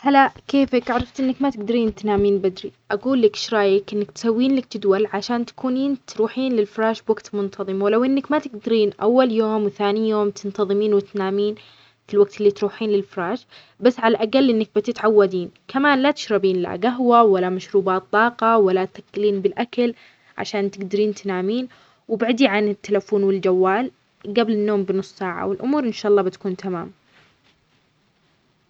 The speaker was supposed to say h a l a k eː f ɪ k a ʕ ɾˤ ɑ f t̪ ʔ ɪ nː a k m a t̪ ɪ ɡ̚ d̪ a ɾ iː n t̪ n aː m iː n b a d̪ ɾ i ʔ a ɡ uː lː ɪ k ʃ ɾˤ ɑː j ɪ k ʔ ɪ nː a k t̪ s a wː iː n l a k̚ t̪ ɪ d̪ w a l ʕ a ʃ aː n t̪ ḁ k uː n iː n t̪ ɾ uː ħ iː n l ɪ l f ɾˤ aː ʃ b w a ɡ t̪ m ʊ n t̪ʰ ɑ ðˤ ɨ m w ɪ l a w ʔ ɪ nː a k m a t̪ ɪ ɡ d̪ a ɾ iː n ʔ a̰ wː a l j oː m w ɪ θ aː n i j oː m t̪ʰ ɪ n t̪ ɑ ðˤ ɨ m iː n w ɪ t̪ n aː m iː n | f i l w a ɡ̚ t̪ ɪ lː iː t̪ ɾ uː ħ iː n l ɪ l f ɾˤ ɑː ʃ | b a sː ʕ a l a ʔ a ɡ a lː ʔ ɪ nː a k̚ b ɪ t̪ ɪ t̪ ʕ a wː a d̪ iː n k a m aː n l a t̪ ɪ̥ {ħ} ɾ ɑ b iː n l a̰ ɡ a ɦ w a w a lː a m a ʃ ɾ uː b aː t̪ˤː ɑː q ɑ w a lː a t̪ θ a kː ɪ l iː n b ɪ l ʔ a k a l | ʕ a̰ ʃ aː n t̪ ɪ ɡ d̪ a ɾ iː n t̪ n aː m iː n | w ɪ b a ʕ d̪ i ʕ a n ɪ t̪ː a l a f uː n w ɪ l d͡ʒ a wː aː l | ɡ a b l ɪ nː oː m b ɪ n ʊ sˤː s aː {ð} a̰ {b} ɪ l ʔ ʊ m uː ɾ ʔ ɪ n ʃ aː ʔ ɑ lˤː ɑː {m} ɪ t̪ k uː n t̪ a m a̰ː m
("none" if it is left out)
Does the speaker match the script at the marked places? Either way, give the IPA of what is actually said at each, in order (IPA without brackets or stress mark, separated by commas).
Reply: ʃ, ʕ, w, b